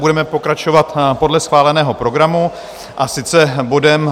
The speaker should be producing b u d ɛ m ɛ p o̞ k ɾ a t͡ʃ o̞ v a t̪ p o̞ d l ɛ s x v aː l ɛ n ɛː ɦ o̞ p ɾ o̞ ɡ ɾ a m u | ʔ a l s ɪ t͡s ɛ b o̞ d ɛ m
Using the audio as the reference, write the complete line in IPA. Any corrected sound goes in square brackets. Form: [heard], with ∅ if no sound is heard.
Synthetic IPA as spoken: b u d ɛ m ɛ p o̞ k ɾ a t͡ʃ o̞ v a t̪ p o̞ d l ɛ s x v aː l ɛ n ɛː ɦ o̞ p ɾ o̞ ɡ ɾ a m u | ʔ a [∅] s ɪ t͡s ɛ b o̞ d ɛ m